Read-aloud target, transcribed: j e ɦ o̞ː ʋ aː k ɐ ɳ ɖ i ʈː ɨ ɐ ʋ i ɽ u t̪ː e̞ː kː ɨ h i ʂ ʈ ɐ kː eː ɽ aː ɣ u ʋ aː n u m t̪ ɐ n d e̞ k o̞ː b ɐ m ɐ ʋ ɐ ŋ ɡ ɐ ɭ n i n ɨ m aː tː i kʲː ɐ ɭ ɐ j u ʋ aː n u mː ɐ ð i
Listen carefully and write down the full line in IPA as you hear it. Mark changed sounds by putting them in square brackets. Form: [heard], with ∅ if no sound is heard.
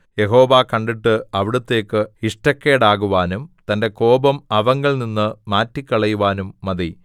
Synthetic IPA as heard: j e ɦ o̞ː ʋ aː k ɐ ɳ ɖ i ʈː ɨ ɐ ʋ i ɽ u t̪ː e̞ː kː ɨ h i ʂ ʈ ɐ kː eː ɽ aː ɣ u ʋ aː n u m t̪ ɐ n d e̞ k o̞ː b ɐ m ɐ ʋ ɐ ŋ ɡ ɐ ɭ n i [nː] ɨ m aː tː i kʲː ɐ ɭ ɐ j u ʋ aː n u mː ɐ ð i